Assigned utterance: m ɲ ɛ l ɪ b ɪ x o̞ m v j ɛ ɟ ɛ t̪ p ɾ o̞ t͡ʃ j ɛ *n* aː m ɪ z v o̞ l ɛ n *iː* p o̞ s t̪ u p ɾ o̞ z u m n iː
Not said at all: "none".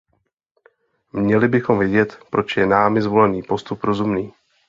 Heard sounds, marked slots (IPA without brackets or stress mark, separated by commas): n, iː